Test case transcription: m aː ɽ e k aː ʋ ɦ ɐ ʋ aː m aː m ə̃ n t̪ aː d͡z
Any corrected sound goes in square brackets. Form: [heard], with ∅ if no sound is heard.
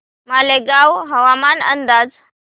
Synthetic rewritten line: m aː [l] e [ɡ] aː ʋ ɦ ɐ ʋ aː m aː [n] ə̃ n [d̪] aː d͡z